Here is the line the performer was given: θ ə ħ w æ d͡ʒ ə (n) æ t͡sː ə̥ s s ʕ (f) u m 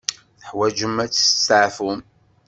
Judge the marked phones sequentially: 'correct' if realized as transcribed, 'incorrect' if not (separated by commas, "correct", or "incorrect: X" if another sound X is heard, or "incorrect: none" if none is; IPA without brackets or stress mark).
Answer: incorrect: m, correct